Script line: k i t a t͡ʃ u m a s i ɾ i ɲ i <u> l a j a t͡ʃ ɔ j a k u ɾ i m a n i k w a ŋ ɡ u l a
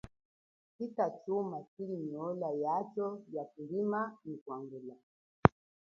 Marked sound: incorrect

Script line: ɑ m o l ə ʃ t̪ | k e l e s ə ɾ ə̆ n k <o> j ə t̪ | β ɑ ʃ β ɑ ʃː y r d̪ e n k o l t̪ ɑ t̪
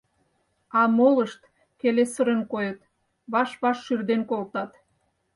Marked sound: correct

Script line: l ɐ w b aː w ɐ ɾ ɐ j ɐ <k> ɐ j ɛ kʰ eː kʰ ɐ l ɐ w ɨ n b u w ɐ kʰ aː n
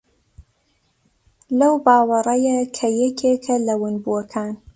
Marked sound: incorrect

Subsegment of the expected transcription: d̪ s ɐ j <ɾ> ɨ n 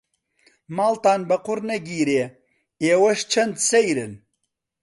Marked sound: correct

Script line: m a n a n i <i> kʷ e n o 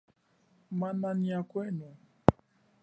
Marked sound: incorrect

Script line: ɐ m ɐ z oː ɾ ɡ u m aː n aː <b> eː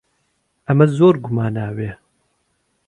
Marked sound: incorrect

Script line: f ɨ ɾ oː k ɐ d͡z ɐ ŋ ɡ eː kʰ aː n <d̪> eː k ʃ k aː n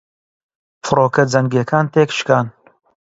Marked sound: incorrect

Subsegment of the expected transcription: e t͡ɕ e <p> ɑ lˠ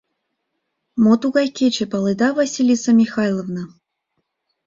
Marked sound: correct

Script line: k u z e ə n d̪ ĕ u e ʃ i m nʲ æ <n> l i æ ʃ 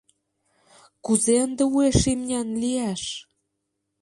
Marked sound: correct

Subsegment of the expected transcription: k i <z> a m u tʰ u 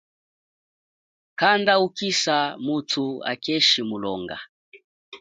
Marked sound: incorrect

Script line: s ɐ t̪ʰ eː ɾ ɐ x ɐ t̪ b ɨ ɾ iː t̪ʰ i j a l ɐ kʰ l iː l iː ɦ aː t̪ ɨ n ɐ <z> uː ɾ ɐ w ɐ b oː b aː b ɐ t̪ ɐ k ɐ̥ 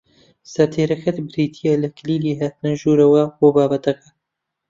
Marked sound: incorrect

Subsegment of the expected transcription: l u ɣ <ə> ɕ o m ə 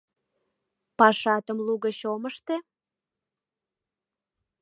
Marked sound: correct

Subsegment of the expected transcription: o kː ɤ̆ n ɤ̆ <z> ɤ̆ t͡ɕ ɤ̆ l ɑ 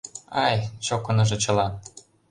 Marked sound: incorrect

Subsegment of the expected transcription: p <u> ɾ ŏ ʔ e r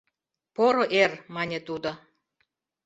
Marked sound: incorrect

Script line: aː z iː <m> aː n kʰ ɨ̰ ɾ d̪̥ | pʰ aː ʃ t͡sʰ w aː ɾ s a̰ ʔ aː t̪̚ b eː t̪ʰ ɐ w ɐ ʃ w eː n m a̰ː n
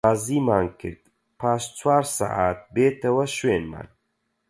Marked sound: correct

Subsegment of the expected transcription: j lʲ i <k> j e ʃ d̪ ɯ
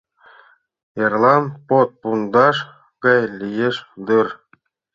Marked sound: incorrect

